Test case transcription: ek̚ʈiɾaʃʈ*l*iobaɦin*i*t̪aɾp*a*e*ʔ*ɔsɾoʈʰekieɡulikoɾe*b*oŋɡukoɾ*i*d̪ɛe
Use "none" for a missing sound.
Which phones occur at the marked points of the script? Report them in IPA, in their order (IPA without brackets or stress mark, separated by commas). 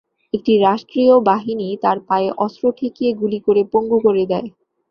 ɾ, i, a, ʔ, p, e